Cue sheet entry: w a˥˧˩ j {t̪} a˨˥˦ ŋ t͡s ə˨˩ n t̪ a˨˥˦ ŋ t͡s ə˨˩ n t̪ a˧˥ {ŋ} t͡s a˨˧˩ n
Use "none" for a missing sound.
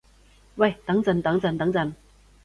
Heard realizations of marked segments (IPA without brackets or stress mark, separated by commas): t̪, ŋ